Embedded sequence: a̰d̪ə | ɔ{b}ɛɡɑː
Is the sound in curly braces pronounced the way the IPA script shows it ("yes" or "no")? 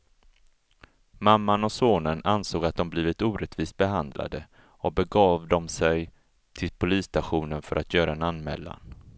yes